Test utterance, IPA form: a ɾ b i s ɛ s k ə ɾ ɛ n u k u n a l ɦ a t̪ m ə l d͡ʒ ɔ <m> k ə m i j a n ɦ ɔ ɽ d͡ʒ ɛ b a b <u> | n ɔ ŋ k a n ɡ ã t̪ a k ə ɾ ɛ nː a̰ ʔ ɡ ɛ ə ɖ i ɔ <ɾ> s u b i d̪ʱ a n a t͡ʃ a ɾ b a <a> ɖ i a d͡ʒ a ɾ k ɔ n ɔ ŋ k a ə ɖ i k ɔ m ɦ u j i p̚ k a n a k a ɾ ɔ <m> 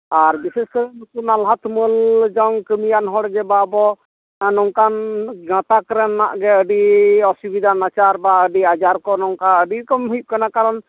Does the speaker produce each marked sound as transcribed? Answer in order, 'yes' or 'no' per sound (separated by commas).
no, no, no, no, no